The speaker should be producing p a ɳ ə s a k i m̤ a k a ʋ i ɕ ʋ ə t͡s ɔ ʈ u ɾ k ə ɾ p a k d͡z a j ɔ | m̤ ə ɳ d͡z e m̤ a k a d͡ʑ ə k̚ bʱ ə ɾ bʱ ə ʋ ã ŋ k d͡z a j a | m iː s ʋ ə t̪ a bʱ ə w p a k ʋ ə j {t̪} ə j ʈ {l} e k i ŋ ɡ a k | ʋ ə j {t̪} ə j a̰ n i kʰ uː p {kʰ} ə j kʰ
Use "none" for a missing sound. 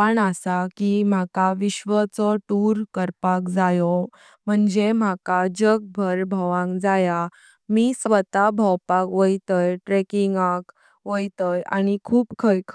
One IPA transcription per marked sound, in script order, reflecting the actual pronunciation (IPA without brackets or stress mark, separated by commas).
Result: t̪, ɾ, t̪, kʰ